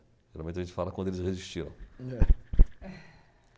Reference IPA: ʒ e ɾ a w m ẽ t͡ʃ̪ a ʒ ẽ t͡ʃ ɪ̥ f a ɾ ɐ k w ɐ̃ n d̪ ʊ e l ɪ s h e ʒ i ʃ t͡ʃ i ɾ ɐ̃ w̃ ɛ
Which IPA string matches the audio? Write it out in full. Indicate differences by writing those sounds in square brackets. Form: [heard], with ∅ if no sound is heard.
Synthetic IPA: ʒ e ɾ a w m ẽ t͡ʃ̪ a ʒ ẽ t͡ʃ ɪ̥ f a [l] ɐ k w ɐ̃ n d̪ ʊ e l ɪ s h e [z] i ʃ t͡ʃ i ɾ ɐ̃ w̃ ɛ